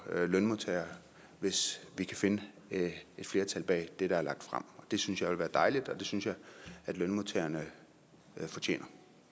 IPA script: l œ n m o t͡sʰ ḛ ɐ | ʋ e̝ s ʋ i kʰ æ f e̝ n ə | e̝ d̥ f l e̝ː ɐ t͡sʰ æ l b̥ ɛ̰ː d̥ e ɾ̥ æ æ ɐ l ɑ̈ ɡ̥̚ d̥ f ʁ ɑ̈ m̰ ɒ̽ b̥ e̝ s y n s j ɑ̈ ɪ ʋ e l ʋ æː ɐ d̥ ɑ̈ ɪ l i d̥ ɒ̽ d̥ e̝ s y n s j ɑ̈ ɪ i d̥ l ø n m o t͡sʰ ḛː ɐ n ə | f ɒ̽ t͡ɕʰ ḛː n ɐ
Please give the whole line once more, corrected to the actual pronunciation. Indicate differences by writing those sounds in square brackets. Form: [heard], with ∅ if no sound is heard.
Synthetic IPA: l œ n m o t͡sʰ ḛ ɐ | ʋ e̝ s ʋ i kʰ æ f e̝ n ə | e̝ d̥ f l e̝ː ɐ t͡sʰ æ l b̥ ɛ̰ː d̥ e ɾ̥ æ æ ɐ l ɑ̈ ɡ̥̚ d̥ f ʁ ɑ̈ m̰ ɒ̽ [d̥] e̝ s y n s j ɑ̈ ɪ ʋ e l ʋ æː ɐ d̥ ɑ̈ ɪ l i d̥ ɒ̽ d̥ e̝ s y n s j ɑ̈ ɪ [æ] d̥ l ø n m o t͡sʰ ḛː ɐ n ə | f ɒ̽ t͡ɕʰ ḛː n ɐ